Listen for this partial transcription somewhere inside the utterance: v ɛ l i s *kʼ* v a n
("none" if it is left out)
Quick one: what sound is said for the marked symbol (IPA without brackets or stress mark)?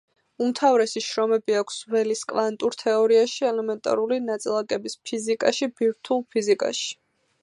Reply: kʼ